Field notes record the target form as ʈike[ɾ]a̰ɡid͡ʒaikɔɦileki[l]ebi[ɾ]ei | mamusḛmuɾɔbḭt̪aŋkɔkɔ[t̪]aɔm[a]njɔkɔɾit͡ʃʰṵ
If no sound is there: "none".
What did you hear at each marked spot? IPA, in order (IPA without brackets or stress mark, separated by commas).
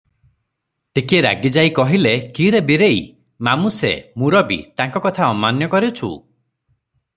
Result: ɾ, ɾ, ɾ, t̪ʰ, a